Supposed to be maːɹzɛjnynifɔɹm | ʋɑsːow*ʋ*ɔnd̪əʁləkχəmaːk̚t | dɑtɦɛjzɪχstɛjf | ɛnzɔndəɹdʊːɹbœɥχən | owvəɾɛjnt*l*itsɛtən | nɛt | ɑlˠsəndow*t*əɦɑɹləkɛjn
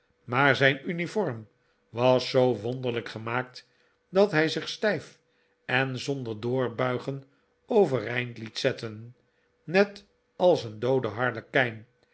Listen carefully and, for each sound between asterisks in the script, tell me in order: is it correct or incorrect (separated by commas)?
correct, correct, incorrect